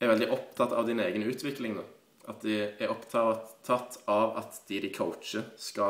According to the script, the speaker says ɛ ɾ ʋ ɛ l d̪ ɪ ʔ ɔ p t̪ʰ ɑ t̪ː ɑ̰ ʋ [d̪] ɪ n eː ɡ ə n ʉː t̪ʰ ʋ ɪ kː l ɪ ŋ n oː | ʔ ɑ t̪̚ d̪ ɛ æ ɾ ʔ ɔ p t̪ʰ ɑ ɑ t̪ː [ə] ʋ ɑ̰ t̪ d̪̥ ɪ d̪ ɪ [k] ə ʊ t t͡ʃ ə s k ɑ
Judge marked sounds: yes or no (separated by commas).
yes, no, no